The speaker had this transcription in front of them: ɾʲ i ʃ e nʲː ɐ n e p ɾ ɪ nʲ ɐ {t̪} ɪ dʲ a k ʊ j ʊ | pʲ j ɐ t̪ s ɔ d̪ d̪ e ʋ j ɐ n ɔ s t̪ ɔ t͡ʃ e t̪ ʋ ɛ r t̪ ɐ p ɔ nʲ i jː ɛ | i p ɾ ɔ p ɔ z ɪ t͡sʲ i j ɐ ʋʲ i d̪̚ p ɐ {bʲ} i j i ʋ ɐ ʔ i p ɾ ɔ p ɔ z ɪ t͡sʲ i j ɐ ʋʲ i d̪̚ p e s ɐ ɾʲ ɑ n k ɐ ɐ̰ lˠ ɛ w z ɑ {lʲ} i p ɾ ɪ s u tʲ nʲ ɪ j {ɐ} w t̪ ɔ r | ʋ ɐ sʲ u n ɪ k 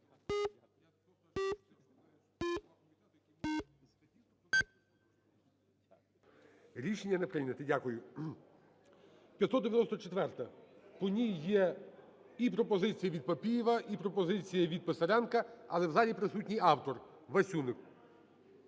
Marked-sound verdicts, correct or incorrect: correct, incorrect, correct, incorrect

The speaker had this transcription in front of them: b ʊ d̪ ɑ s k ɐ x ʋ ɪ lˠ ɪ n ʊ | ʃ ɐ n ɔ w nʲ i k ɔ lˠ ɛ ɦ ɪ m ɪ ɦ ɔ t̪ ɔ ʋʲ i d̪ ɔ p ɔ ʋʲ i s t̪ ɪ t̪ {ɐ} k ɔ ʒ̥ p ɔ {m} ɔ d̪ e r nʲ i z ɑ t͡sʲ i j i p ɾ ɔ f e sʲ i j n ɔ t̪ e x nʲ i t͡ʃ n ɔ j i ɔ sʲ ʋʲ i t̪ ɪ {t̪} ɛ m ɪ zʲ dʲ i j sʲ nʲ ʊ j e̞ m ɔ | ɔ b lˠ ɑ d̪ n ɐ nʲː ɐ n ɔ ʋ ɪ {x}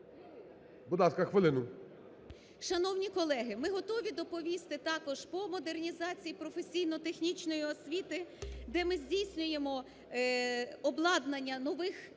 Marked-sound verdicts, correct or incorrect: incorrect, correct, incorrect, correct

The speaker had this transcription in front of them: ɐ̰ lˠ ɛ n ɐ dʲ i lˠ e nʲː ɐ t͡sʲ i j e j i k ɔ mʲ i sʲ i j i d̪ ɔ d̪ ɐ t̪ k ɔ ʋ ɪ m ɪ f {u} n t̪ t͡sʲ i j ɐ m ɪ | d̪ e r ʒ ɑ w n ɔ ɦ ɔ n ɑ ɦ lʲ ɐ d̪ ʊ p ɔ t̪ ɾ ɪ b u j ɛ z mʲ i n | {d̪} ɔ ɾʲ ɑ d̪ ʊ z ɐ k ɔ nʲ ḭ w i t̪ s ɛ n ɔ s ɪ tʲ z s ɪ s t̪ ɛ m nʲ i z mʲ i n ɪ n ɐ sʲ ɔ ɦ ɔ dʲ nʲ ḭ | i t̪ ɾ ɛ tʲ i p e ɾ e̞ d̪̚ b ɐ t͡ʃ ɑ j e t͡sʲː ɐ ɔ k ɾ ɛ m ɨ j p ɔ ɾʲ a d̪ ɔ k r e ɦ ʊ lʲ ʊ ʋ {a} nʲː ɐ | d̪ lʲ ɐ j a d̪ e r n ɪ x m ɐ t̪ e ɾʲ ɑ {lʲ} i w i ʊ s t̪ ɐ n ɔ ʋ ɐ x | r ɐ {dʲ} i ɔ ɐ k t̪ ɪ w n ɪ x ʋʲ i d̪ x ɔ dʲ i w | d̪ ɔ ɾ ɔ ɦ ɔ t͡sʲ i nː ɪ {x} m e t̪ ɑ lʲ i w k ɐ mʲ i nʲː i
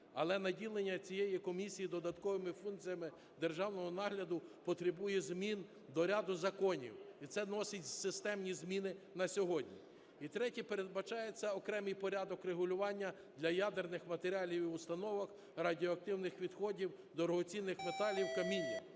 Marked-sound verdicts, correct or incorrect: correct, correct, incorrect, correct, correct, correct

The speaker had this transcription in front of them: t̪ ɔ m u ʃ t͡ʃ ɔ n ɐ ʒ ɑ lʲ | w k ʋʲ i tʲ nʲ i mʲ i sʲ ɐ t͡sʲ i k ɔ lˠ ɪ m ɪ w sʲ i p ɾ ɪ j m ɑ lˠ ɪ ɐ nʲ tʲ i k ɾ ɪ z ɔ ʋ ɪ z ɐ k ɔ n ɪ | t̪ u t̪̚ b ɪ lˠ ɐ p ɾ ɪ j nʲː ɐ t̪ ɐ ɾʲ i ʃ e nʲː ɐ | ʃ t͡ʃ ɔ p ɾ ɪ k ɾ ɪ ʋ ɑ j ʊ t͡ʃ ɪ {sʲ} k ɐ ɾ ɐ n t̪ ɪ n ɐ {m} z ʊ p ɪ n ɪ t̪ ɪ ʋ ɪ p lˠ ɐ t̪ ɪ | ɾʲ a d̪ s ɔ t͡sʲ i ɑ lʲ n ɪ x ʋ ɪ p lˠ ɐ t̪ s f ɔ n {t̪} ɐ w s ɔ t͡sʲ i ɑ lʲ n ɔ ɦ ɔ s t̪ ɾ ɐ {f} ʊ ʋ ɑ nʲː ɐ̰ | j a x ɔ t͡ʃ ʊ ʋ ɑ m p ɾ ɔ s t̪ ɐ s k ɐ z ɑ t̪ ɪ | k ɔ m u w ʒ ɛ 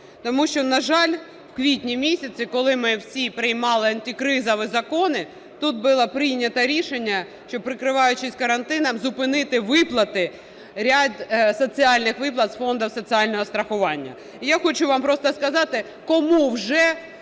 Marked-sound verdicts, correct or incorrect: correct, correct, incorrect, incorrect

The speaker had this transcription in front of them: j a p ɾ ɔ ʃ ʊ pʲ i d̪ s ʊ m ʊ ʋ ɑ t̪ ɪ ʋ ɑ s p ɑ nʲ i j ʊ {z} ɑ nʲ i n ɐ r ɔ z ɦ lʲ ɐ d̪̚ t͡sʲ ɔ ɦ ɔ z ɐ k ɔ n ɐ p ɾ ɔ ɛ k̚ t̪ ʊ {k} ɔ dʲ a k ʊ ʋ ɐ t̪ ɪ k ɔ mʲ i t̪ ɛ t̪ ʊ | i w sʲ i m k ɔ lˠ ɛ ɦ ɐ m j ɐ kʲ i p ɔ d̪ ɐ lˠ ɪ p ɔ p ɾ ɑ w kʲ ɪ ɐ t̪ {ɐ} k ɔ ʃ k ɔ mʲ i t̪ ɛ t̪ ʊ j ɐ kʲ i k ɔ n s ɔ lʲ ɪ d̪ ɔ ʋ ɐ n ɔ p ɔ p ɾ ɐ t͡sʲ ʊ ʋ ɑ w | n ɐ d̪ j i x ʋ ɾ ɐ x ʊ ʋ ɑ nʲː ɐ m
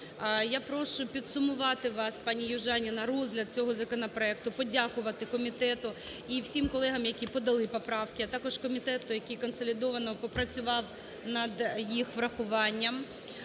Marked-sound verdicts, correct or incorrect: incorrect, incorrect, incorrect

